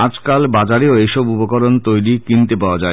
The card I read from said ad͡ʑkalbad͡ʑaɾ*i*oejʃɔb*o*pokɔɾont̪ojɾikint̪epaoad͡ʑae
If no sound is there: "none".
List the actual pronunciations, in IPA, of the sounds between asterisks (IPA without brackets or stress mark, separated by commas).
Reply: e, u